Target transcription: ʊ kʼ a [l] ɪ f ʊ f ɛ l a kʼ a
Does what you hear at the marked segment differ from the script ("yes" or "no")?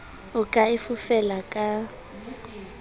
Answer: yes